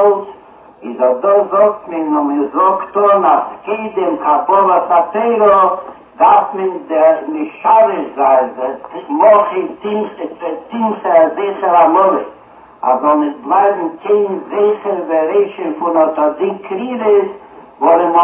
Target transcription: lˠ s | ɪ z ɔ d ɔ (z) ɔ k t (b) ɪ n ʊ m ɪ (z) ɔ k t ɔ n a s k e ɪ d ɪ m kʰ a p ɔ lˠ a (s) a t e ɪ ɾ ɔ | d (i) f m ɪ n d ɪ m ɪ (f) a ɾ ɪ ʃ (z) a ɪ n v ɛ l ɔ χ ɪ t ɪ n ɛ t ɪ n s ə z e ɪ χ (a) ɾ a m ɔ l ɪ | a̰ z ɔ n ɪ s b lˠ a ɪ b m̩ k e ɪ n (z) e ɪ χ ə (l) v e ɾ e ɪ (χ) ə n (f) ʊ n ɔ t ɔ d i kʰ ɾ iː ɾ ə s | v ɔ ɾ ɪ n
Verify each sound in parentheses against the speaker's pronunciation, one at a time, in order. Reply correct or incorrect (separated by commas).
correct, incorrect, correct, correct, incorrect, incorrect, correct, incorrect, correct, incorrect, incorrect, correct